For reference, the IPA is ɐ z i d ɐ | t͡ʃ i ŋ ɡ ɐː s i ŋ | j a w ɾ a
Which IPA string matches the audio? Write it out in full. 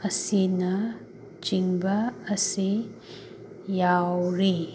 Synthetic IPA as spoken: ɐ s i n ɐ | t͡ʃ i ŋ b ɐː s i | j a w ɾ i